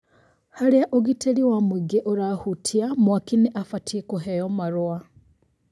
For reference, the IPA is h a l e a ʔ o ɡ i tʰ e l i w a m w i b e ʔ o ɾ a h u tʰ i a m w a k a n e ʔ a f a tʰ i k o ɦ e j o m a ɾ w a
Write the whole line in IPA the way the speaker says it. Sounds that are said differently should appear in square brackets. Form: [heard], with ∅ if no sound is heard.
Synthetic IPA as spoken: h a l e a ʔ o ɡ i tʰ e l i w a m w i [ɡ] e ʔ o ɾ a h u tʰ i a m w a k [i] n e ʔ a f a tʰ i k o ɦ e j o m a ɾ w a